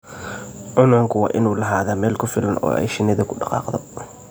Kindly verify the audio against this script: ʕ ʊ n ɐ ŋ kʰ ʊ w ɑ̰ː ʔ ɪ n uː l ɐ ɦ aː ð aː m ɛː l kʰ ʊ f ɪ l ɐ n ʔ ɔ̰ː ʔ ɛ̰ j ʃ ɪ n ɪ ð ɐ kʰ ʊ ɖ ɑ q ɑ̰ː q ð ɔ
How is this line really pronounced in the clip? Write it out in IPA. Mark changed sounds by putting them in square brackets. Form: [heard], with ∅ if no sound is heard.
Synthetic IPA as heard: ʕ ʊ n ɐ ŋ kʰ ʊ w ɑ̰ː ʔ ɪ n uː l ɐ ɦ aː ð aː m ɛː l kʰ ʊ f ɪ l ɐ n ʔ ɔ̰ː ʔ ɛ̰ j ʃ ɪ n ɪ ð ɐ kʰ ʊ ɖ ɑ q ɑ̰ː q ð ɔ